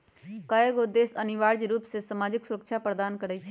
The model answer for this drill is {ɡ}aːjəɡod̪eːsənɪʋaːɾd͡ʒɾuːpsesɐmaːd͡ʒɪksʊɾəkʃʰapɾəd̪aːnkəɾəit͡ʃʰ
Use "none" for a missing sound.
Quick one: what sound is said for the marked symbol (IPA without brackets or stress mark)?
k